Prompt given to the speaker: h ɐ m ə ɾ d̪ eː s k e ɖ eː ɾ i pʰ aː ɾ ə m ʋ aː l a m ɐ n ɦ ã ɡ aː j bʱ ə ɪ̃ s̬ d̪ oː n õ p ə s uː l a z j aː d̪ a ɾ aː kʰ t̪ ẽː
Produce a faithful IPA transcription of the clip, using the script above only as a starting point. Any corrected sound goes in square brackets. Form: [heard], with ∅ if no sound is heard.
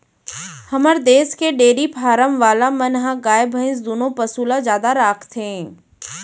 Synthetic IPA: h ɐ m ə ɾ d̪ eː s k e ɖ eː ɾ i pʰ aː ɾ ə m ʋ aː l a m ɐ n ɦ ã ɡ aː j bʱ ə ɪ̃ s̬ d̪ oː n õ p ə s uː l a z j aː d̪ a ɾ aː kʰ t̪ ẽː